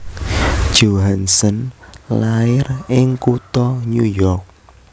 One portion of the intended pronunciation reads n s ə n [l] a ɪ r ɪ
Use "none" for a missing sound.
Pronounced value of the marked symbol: l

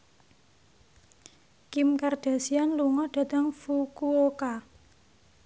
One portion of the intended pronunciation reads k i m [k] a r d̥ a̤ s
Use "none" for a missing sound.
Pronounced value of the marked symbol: k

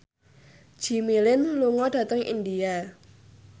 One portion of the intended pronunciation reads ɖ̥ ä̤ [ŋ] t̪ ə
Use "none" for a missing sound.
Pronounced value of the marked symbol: none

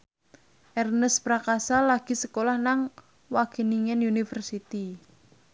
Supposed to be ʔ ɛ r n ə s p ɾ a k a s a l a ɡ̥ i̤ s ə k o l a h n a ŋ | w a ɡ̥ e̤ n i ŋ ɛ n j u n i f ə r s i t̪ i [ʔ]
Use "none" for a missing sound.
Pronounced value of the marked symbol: none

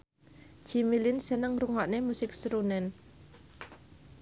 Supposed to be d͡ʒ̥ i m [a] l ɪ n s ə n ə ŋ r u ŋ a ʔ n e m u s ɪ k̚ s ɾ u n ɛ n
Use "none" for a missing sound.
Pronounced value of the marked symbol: i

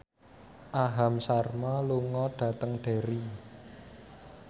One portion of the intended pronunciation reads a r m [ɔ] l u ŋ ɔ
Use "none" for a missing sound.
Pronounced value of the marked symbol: ɔ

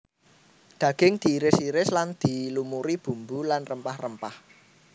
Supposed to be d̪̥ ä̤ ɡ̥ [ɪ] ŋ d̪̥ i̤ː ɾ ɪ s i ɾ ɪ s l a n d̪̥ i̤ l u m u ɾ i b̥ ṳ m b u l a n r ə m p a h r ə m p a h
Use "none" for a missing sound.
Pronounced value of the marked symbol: ɪ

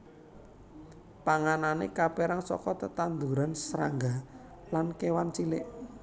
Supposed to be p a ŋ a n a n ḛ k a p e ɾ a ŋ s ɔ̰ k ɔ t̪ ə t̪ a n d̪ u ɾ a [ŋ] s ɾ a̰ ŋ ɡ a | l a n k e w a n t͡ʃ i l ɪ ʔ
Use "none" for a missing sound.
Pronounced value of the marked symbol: n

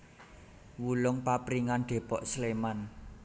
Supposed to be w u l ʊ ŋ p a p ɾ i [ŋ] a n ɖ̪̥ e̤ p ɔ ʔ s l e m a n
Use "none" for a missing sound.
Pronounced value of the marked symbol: ŋ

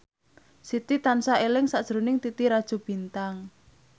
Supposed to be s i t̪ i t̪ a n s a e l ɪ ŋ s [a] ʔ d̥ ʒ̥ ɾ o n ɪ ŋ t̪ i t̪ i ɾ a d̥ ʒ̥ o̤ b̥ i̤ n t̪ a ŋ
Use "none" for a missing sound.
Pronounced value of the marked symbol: a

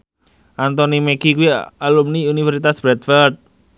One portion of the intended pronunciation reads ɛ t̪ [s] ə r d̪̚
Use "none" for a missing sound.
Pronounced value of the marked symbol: f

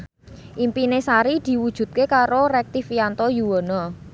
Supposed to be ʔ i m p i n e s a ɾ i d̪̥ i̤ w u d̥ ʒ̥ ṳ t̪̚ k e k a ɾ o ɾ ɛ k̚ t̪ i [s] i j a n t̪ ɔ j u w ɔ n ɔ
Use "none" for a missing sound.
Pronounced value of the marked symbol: f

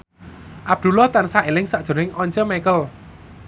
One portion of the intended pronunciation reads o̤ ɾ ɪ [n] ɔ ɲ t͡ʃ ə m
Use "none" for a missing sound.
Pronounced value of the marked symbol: ŋ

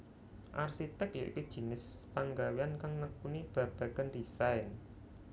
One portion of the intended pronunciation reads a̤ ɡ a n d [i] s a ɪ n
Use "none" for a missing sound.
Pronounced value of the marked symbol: i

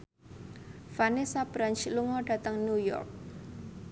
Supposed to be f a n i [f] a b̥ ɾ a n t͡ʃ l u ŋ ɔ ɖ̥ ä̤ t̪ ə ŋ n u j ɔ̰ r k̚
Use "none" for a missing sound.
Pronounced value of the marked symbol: s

